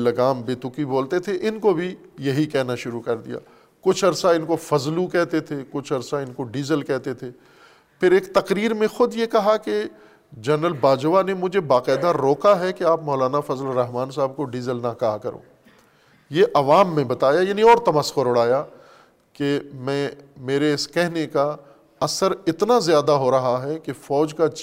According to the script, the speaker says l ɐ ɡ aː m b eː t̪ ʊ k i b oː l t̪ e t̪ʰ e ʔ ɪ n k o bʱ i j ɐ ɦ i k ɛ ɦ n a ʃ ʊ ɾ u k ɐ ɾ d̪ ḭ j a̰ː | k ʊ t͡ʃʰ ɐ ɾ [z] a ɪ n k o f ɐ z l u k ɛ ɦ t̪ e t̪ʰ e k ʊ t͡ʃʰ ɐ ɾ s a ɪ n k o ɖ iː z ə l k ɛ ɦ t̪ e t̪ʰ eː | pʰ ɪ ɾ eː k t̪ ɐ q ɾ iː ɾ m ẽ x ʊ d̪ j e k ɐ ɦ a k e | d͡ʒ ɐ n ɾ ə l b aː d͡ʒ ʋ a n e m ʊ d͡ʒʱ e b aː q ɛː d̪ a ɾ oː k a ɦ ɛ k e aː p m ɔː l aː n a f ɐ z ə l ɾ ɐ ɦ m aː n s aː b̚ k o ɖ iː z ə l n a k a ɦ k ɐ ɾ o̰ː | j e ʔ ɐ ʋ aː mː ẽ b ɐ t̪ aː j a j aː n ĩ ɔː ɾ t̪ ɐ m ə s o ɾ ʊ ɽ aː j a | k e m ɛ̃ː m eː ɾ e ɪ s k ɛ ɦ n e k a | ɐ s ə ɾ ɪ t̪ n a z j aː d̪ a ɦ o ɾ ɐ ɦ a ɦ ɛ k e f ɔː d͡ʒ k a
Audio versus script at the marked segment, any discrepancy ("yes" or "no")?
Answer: yes